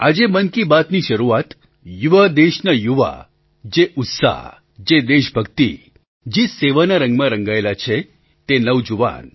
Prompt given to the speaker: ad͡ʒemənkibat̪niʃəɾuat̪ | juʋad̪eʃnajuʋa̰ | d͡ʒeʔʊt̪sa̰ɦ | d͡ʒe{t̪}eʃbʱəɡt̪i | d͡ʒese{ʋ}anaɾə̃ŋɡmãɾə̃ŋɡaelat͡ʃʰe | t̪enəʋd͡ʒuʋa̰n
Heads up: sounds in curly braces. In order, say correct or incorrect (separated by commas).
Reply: incorrect, correct